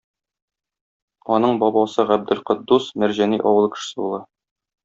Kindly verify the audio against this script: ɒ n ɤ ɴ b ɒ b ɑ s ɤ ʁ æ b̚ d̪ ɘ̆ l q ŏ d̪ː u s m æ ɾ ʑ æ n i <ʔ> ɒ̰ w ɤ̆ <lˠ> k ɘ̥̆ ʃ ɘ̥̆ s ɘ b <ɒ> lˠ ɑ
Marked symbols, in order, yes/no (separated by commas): yes, yes, no